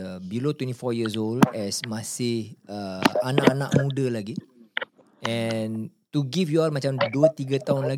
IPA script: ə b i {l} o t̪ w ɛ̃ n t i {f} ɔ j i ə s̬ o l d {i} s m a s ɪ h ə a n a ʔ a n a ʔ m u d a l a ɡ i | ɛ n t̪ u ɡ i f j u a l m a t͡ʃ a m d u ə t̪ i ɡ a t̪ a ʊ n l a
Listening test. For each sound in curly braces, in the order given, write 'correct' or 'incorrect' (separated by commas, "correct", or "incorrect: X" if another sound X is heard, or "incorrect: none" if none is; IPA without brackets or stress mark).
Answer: correct, correct, incorrect: ɛ